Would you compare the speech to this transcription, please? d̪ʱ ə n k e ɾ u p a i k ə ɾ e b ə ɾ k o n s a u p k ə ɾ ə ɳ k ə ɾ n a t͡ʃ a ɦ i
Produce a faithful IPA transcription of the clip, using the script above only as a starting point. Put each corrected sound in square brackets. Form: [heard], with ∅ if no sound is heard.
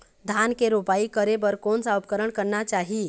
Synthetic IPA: d̪ʱ [a] n k e ɾ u p a i k ə ɾ e b ə ɾ k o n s a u p k ə ɾ ə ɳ k ə ɾ n a t͡ʃ a ɦ i

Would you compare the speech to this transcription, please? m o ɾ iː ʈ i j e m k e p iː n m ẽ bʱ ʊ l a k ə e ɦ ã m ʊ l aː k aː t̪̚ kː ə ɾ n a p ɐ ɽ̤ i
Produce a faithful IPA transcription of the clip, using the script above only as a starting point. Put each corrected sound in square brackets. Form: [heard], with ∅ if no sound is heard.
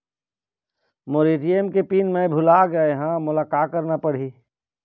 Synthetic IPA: m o ɾ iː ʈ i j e m k e p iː n m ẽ bʱ ʊ l a [ɡ] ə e ɦ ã m ʊ l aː k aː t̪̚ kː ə ɾ n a p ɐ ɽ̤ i

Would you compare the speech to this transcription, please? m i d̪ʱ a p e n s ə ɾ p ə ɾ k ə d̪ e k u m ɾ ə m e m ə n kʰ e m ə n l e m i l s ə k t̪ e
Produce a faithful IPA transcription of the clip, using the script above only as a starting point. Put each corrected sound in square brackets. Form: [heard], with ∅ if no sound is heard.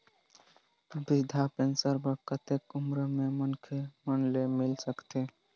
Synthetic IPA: [b] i d̪ʱ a p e n s ə ɾ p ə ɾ k ə [t̪] e k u m ɾ ə m e m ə n kʰ e m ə n l e m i l s ə k t̪ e

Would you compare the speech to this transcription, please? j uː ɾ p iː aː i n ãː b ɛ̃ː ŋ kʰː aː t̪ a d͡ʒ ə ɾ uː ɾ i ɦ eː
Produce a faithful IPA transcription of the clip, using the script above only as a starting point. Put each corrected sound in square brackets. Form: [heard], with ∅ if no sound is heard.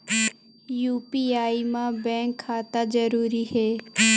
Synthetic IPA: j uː [∅] p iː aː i [m] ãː b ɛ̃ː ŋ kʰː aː t̪ a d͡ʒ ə ɾ uː ɾ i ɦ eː

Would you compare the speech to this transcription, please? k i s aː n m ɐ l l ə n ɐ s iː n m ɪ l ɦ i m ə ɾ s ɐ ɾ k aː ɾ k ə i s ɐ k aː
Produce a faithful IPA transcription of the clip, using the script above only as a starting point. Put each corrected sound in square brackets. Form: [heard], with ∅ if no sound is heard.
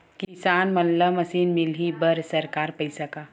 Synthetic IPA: k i s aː n m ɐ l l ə [m] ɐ s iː n m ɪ l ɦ i [b] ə ɾ s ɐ ɾ k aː ɾ [p] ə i s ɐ k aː

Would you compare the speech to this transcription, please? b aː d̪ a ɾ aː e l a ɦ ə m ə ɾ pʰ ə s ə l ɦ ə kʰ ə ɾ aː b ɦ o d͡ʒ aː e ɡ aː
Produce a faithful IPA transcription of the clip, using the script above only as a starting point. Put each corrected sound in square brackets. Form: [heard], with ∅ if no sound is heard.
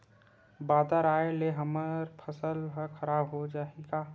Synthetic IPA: b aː d̪ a ɾ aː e l [e] ɦ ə m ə ɾ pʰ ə s ə l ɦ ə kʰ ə ɾ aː b ɦ o d͡ʒ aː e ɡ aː

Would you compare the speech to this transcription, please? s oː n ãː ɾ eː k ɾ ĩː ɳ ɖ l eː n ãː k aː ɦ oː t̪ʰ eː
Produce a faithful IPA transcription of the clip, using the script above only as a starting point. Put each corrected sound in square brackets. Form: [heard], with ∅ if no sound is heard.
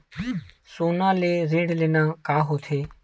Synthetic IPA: s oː n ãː [l] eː [∅] ɾ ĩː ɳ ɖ l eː n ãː k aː ɦ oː t̪ʰ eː

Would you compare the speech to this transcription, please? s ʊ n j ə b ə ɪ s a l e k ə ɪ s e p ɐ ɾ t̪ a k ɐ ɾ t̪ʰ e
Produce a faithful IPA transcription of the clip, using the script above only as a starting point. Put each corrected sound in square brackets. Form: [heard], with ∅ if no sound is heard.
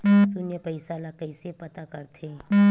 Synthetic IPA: s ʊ n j ə [p] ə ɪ s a l [a] k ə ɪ s e p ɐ [∅] t̪ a k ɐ ɾ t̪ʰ e

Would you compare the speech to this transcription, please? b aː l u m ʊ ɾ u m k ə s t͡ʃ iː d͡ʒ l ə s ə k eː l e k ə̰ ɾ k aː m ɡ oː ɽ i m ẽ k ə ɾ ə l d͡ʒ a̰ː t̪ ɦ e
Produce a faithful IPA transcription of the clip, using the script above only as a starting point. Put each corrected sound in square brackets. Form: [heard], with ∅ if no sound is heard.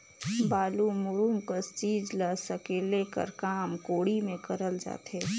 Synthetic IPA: b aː l u m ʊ ɾ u m k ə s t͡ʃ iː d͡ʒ l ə s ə k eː l e k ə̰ ɾ k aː m [k] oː ɽ i m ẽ k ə ɾ ə l d͡ʒ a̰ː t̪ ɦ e

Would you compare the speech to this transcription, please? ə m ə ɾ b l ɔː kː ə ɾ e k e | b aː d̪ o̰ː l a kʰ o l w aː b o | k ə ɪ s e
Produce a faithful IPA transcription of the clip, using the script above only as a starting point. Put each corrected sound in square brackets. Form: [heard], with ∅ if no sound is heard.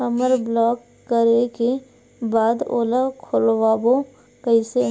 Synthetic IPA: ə m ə ɾ b l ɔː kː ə ɾ e k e | b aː d̪ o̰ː l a kʰ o l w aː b o | k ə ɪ s e

